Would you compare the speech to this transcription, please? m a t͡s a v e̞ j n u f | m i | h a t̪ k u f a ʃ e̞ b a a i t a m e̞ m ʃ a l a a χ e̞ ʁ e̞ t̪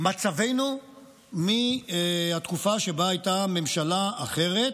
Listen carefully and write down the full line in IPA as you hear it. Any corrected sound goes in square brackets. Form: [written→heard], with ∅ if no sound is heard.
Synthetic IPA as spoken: m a t͡s a v e̞ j n u [f→∅] | m i | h a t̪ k u f a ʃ e̞ b a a [i→j] t a m e̞ m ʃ a l a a χ e̞ ʁ e̞ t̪